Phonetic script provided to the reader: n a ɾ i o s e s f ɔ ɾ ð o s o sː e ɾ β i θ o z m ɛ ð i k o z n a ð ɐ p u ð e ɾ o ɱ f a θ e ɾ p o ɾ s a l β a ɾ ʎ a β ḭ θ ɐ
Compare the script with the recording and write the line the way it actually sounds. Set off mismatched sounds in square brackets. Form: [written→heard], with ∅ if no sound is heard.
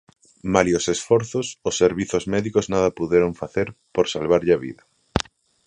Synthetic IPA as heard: [n→m] a [ɾ→l] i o s e s f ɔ ɾ [ð→θ] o s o sː e ɾ β i θ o z m ɛ ð i k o z n a ð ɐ p u ð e ɾ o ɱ f a θ e ɾ p o ɾ s a l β a ɾ ʎ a β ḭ [θ→ð] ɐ